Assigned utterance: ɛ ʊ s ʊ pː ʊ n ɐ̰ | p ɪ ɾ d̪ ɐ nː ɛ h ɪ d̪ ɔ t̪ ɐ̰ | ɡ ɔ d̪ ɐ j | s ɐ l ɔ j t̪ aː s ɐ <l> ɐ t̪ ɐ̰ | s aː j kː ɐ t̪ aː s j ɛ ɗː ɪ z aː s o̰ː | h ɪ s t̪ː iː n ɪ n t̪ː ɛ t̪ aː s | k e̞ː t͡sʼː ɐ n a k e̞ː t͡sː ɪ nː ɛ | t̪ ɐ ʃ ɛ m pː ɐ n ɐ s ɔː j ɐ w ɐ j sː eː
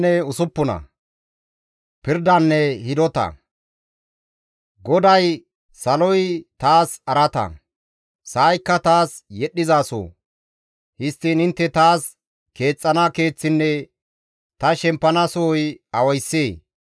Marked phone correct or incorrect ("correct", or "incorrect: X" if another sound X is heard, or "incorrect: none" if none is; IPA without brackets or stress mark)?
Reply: incorrect: ɾ